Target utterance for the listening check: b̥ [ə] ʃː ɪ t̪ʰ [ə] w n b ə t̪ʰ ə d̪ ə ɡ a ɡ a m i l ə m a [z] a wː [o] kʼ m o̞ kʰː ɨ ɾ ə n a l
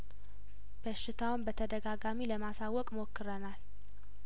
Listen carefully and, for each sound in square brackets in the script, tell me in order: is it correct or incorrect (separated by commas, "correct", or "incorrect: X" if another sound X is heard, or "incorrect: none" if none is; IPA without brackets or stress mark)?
correct, incorrect: a, incorrect: s, incorrect: ɔ